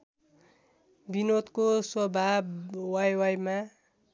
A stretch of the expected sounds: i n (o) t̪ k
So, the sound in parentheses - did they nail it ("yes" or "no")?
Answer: yes